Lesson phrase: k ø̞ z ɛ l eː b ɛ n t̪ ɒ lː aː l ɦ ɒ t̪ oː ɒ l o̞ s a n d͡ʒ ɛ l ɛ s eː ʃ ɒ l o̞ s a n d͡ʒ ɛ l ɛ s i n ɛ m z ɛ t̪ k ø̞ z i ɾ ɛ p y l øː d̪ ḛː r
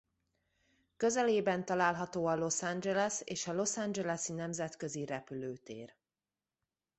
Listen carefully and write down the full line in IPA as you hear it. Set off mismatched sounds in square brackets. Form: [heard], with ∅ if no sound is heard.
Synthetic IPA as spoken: k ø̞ z ɛ l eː b ɛ n t̪ ɒ [l] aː l ɦ ɒ t̪ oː ɒ l o̞ s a n d͡ʒ ɛ l ɛ s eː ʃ ɒ l o̞ s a n d͡ʒ ɛ l ɛ s i n ɛ m z ɛ t̪ k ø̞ z i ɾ ɛ p y l øː [t̪] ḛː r